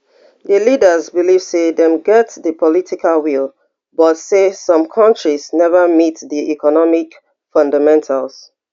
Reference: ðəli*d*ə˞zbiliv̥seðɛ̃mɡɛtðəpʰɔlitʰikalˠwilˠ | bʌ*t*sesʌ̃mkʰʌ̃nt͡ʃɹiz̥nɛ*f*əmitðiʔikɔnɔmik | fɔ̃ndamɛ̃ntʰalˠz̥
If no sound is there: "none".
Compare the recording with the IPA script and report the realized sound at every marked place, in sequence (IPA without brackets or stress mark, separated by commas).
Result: d, t, v